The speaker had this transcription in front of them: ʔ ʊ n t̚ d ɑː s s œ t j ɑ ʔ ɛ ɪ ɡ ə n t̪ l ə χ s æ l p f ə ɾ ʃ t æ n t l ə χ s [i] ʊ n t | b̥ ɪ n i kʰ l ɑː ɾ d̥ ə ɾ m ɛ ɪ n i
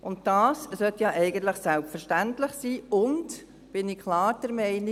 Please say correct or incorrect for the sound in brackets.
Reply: incorrect